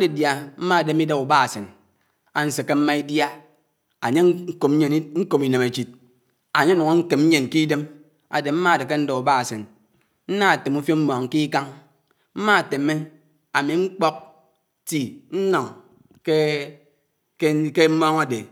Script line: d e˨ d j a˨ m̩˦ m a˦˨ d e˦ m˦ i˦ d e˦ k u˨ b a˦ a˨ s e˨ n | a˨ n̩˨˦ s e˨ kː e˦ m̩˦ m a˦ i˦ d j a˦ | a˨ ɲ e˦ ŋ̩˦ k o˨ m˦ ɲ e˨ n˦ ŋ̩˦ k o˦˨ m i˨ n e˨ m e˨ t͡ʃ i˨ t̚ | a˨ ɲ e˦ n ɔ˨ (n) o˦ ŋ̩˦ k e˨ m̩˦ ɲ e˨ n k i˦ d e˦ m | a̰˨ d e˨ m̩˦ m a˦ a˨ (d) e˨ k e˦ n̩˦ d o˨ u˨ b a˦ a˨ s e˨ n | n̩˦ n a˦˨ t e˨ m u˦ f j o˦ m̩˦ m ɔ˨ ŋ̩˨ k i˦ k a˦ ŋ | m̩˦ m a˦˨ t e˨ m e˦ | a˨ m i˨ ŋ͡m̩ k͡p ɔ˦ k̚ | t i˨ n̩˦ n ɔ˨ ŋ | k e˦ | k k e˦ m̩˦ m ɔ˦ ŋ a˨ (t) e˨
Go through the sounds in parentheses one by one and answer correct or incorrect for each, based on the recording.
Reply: incorrect, correct, incorrect

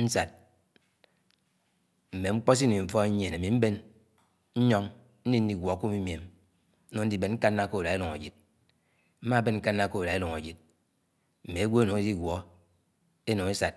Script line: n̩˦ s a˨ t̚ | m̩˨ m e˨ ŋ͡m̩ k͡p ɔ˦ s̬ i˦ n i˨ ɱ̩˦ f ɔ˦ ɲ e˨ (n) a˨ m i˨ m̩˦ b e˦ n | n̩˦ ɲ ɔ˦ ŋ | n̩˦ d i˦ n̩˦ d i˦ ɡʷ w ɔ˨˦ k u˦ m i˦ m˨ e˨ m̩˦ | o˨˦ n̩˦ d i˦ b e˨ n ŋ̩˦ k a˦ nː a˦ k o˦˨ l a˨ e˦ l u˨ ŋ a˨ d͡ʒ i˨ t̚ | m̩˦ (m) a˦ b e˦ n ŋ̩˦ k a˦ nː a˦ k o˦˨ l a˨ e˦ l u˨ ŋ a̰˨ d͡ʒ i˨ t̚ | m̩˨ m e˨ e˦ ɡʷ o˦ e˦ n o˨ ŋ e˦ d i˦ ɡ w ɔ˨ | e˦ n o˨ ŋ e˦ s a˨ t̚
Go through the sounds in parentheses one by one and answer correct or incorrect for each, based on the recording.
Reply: correct, correct

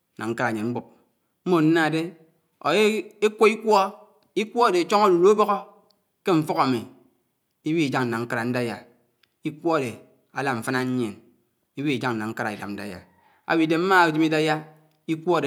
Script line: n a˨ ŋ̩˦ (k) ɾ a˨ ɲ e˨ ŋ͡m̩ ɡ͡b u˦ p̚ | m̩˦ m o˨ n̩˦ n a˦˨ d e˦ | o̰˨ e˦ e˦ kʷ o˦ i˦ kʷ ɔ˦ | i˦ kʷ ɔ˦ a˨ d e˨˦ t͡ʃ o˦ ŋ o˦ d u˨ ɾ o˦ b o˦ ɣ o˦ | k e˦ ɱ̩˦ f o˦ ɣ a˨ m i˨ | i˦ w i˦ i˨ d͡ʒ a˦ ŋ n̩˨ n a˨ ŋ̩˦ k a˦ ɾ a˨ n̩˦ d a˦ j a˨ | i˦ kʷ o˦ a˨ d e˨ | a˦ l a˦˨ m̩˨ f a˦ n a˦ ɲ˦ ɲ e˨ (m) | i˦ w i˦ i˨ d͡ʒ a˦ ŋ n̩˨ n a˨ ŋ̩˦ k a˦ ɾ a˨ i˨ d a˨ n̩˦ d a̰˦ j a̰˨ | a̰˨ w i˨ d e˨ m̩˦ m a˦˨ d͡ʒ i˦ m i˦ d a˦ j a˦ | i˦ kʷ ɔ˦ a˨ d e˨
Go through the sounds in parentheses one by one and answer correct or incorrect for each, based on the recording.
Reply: correct, incorrect

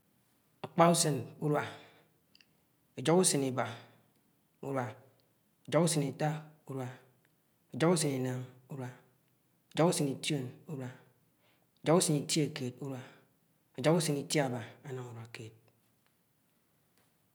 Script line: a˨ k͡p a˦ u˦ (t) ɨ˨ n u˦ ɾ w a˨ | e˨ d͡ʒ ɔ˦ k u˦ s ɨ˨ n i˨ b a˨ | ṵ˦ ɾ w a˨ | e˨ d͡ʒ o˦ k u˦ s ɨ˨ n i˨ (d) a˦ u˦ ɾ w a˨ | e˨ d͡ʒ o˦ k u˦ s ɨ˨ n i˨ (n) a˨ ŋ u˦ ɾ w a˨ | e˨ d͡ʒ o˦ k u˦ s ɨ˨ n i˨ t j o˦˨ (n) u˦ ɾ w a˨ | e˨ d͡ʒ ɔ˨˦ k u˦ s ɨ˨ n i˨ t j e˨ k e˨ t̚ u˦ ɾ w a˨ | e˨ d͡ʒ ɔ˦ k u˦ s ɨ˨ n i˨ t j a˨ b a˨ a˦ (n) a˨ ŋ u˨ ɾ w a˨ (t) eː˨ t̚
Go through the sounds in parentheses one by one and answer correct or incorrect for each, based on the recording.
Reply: incorrect, incorrect, correct, correct, correct, incorrect

